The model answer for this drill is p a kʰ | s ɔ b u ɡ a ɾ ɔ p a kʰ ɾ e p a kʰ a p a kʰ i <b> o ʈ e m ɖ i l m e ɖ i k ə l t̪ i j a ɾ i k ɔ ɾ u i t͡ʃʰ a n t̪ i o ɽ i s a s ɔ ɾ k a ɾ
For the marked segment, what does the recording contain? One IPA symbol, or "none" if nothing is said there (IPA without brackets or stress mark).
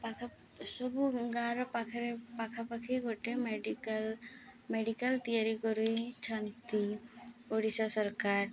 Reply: ɡ